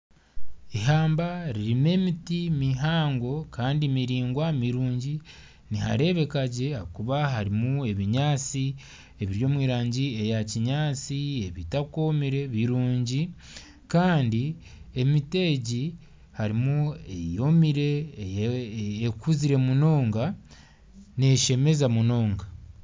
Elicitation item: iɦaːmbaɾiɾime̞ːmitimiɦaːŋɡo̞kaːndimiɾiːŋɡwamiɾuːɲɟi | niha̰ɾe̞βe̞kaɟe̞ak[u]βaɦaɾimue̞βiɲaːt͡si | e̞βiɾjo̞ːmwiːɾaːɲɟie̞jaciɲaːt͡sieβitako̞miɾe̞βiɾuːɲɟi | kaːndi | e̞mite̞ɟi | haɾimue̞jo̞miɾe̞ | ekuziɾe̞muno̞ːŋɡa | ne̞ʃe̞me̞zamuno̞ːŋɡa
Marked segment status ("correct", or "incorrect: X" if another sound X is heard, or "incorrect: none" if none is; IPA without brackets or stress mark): correct